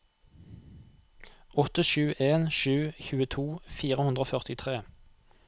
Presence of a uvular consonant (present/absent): present